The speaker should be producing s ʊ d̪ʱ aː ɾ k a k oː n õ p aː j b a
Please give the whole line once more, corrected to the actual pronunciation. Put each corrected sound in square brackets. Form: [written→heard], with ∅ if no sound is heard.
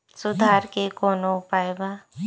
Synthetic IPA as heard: s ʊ d̪ʱ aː ɾ k [a→e] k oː n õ p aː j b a